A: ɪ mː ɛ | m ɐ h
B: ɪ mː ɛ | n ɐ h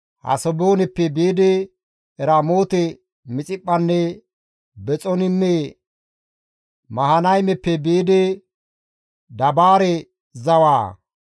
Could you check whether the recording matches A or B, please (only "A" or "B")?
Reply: A